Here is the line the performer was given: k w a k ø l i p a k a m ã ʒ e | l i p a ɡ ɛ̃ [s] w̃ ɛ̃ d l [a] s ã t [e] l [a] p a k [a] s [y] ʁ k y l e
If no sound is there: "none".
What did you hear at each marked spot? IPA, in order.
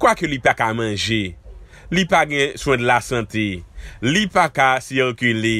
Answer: s, a, e, i, a, i

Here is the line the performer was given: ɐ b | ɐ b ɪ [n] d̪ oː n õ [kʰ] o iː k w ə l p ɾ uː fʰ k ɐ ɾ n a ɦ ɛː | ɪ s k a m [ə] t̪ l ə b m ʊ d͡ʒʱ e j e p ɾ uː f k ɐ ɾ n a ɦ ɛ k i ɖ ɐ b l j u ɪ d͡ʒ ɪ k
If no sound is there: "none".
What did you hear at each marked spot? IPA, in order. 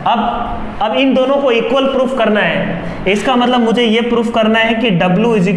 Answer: n, k, ɐ

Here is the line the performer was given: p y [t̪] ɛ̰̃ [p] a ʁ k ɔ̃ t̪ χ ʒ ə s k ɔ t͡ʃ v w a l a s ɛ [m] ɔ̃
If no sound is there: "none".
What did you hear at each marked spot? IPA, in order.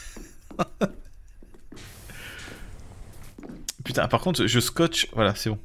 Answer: t̪, p, b

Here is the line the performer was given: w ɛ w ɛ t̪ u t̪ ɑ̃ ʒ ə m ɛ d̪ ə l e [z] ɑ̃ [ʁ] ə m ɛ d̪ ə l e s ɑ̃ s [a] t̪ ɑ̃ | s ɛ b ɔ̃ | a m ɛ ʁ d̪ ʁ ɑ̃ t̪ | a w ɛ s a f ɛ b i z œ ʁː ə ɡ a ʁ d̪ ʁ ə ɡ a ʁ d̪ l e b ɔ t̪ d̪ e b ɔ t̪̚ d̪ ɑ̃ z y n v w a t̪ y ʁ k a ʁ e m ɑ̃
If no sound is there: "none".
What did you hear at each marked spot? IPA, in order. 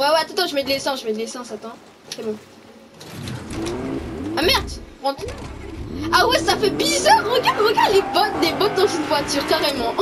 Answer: s, ʒ, a

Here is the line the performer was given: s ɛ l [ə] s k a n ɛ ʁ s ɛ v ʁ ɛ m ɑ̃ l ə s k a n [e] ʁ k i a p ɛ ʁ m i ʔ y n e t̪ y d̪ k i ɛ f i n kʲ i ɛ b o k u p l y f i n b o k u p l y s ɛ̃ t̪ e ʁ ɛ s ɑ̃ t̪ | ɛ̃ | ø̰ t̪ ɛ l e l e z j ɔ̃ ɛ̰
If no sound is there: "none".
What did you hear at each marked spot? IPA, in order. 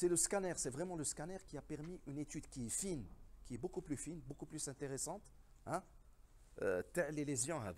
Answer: ə, ɛ

